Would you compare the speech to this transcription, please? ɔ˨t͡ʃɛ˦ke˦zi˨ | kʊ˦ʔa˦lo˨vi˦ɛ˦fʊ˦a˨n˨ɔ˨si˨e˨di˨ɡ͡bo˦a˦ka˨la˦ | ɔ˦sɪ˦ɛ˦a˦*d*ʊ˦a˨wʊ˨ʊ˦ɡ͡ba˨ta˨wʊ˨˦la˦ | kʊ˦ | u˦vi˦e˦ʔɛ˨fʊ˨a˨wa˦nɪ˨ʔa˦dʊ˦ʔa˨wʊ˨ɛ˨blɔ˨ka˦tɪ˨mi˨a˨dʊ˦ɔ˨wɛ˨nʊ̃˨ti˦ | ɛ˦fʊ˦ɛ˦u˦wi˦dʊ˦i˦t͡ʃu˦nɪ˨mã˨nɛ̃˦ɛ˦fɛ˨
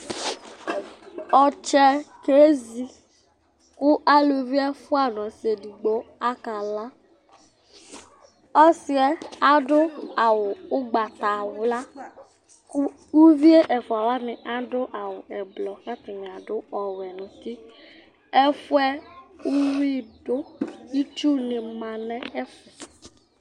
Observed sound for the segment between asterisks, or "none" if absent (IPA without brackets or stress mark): d